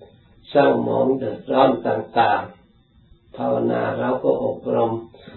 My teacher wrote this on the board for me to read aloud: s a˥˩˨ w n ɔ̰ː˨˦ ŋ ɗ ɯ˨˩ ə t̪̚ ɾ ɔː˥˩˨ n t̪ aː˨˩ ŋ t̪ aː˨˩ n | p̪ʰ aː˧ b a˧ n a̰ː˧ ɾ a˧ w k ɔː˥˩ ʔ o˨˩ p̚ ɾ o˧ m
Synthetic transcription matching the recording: s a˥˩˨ w m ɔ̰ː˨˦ ŋ d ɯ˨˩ ə t̪̚ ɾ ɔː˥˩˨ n t̪ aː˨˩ ŋ t̪ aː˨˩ ŋ | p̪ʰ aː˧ w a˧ n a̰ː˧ ɾ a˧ w k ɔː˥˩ ʔ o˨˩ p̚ ɾ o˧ m